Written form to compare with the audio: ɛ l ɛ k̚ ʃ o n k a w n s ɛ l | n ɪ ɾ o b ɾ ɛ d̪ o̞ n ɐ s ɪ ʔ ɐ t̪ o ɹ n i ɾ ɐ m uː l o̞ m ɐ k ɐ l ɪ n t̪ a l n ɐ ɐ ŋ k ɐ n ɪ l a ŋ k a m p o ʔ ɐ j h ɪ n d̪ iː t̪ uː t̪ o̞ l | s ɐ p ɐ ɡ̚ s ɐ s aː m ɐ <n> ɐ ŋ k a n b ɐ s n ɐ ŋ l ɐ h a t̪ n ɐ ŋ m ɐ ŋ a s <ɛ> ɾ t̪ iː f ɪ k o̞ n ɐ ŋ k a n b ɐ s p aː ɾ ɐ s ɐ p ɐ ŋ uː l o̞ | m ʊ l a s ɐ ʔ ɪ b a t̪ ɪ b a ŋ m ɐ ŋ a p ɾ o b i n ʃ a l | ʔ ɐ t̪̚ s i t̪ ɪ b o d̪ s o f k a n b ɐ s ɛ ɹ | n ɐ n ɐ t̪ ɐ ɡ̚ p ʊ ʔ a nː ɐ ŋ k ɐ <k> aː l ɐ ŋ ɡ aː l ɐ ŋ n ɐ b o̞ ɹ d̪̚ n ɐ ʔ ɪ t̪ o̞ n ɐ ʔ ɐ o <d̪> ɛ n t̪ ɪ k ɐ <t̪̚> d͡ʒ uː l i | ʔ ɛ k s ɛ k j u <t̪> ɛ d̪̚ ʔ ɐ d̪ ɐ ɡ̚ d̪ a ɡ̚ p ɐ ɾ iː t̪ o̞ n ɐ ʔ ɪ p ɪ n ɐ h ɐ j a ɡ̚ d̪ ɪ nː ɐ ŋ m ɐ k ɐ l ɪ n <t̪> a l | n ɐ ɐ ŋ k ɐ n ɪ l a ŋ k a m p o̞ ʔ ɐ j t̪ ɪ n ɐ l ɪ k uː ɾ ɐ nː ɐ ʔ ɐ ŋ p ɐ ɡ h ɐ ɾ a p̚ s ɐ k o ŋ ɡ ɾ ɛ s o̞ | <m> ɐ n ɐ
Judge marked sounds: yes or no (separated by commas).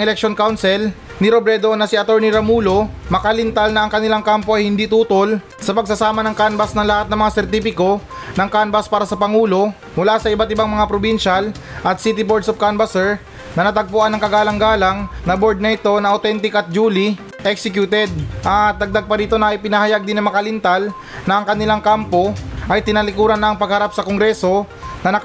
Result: yes, yes, no, no, yes, yes, yes, no